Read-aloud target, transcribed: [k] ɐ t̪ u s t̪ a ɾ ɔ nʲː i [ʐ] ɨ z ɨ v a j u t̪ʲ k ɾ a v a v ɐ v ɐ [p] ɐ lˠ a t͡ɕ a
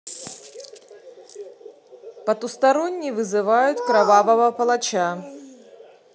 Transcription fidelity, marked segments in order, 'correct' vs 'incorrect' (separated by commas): incorrect, incorrect, correct